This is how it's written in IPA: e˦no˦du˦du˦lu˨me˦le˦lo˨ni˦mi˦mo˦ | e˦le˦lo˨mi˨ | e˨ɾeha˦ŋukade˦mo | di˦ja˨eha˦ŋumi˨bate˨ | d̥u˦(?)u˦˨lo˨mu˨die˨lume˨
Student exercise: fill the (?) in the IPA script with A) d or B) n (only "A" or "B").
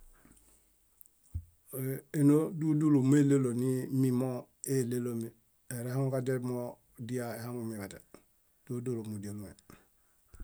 A